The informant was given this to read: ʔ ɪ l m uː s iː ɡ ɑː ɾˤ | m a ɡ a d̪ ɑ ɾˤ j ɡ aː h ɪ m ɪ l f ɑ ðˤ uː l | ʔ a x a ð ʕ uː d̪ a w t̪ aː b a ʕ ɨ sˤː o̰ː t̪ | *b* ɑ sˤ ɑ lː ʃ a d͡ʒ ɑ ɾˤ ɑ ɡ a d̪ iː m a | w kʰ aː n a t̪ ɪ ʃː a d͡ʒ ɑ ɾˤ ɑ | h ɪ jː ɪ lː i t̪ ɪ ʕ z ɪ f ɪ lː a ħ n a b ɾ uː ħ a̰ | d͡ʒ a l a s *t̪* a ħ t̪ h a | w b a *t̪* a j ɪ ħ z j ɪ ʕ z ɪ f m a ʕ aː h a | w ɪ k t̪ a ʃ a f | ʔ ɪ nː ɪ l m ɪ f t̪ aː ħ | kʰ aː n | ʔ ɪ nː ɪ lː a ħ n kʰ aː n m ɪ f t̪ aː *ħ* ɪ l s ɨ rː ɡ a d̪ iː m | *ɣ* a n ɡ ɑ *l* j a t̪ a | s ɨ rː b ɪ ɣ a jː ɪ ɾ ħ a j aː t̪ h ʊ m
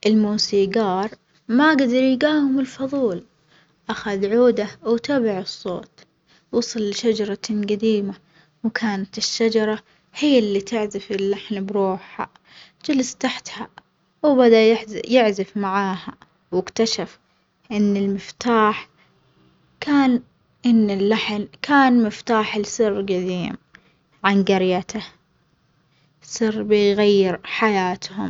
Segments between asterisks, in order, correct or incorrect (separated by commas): incorrect, correct, incorrect, correct, incorrect, incorrect